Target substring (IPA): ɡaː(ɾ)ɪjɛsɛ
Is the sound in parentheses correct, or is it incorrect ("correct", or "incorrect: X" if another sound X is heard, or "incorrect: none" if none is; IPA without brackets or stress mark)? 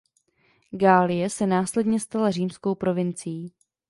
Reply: incorrect: l